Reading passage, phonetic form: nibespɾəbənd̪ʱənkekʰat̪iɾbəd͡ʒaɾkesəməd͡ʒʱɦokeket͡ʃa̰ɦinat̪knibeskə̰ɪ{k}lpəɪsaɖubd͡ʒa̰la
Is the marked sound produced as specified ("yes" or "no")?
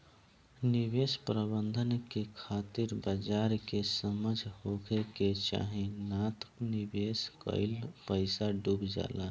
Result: no